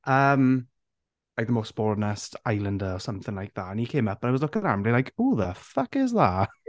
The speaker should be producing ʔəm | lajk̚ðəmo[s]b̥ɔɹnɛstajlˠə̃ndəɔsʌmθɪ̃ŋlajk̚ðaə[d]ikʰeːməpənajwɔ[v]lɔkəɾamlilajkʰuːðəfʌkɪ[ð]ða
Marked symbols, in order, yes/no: yes, no, no, no

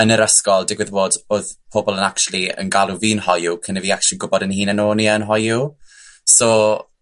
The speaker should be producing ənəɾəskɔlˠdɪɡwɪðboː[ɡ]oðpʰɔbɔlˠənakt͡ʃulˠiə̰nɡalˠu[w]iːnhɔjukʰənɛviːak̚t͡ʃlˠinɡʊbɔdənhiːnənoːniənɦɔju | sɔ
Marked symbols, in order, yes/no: no, no

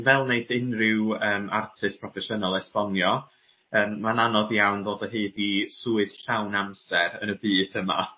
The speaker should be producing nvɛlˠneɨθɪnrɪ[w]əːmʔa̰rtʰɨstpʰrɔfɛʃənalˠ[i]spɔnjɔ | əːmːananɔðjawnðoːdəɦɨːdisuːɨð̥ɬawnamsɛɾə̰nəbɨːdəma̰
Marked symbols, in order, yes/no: yes, no

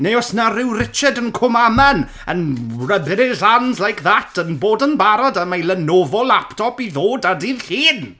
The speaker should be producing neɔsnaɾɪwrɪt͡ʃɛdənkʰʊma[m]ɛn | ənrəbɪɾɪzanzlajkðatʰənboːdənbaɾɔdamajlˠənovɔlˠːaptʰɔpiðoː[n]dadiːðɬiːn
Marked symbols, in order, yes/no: yes, no

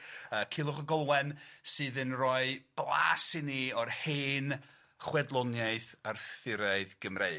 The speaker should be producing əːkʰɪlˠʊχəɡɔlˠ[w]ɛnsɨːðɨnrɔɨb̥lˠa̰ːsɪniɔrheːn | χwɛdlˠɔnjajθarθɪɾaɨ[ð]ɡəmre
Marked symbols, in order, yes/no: yes, yes

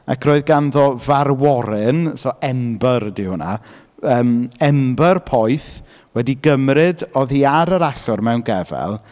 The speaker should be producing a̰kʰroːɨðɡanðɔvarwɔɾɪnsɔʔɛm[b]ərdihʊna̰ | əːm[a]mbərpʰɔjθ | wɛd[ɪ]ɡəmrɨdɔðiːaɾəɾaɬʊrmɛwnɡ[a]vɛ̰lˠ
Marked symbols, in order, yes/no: yes, no, no, no

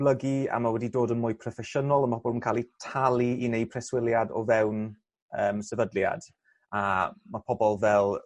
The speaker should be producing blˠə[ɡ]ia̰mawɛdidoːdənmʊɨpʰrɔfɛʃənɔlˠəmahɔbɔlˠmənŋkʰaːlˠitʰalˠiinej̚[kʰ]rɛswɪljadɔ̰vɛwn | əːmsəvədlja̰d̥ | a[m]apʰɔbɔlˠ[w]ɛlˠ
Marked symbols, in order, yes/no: yes, no, yes, no

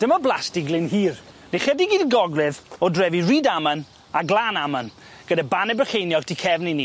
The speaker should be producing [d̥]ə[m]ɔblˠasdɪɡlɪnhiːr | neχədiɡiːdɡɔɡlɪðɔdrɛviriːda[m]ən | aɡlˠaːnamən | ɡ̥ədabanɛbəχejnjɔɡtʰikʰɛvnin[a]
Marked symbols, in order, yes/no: yes, yes, yes, no

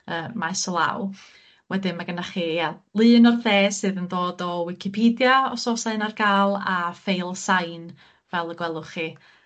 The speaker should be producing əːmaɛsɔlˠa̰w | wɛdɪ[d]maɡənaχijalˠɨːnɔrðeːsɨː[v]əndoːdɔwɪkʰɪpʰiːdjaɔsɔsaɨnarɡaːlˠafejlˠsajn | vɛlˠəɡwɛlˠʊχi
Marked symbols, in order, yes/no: no, no

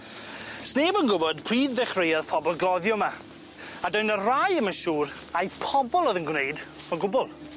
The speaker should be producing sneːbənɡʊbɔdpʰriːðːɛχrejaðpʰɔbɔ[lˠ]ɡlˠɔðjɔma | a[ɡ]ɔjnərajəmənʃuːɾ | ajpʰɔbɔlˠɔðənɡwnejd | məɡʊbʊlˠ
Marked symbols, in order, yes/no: yes, no

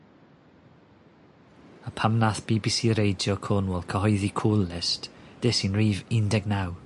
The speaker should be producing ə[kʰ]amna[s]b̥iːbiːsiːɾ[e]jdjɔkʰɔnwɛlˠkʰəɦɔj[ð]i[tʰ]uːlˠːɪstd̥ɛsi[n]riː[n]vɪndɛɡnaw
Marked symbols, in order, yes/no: no, no, yes, yes, no, yes, no

